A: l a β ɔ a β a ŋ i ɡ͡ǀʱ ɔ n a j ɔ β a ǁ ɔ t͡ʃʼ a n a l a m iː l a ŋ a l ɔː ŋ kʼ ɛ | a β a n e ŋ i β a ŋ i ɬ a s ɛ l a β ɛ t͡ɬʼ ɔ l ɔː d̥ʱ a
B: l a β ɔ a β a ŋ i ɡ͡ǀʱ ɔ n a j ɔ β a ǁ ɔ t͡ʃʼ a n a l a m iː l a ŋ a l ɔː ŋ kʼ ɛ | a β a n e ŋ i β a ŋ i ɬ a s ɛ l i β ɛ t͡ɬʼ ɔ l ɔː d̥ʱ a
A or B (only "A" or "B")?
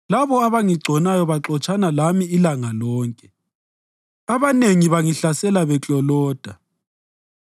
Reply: A